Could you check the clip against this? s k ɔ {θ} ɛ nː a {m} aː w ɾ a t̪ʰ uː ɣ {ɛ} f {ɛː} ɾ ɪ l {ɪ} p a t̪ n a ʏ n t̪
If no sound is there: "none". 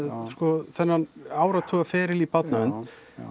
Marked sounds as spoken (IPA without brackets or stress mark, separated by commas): θ, n, a, ɛː, i